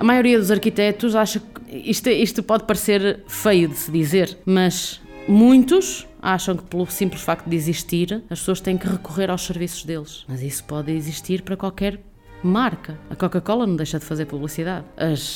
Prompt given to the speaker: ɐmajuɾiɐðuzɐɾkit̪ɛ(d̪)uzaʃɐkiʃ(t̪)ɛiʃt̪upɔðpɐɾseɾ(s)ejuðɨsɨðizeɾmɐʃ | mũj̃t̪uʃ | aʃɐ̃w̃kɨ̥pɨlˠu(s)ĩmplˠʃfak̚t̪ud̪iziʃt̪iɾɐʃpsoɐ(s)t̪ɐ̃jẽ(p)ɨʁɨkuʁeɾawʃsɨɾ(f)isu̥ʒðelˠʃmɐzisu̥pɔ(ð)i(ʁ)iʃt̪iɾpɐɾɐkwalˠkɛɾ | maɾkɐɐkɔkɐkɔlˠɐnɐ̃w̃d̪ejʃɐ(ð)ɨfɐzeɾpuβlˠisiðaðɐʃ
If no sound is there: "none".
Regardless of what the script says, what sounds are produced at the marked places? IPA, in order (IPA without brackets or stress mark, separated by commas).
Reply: t̪, t̪, f, s, ʃ, k, v, ð, z, ð